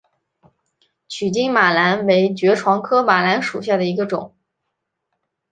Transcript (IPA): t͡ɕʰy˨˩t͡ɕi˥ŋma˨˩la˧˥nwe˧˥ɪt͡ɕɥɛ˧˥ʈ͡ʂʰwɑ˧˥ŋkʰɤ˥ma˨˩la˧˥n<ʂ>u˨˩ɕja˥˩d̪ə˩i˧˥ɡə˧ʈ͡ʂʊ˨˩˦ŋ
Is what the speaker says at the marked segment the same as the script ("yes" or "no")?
yes